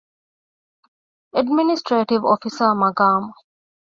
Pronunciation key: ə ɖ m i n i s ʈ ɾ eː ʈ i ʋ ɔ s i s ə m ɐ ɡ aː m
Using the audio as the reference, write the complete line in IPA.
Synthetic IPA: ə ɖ m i n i s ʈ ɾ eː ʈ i ʋ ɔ f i s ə m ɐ ɡ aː m